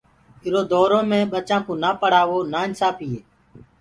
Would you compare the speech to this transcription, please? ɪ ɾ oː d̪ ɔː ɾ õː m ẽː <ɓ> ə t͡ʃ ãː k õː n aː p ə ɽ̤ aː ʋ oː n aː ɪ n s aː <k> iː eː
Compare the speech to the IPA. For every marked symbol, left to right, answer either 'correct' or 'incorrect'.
correct, incorrect

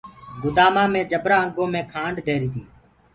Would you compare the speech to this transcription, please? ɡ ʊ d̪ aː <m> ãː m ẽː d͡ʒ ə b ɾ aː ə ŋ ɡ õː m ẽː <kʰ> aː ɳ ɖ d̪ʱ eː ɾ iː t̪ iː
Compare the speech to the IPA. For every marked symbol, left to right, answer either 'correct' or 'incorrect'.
correct, correct

